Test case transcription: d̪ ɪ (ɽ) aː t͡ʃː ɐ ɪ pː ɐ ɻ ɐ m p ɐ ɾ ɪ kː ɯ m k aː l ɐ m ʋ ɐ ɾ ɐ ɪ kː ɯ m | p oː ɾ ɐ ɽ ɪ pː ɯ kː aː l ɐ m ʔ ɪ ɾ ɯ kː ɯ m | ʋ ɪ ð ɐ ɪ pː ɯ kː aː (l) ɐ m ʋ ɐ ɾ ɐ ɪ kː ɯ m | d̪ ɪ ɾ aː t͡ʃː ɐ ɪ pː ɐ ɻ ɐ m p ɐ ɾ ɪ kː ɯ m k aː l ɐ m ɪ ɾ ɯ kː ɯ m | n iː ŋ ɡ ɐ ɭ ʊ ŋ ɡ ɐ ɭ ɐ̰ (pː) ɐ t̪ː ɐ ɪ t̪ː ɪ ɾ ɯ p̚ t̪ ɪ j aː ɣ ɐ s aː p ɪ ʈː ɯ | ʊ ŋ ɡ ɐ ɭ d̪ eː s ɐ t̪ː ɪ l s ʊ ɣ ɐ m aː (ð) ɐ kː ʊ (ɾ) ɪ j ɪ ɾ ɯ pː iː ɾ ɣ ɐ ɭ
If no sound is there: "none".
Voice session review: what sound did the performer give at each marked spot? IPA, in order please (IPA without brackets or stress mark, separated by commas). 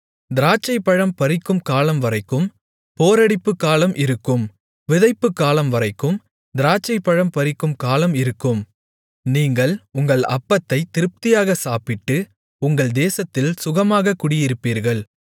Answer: ɾ, l, pː, ɣ, ɽ